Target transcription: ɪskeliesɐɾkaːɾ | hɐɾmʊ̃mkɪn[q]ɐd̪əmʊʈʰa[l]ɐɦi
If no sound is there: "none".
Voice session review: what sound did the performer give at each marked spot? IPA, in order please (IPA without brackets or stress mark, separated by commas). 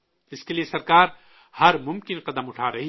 q, ɾ